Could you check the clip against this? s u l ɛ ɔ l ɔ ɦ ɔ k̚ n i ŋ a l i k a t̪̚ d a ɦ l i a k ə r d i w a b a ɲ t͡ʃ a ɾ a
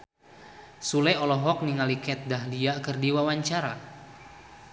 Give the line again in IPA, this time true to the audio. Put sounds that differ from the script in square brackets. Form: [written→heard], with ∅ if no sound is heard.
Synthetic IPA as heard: s u l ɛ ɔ l ɔ ɦ ɔ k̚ n i ŋ a l i k [a→ɛ] t̪̚ d a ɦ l i a k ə r d i w a [b→w] a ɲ t͡ʃ a ɾ a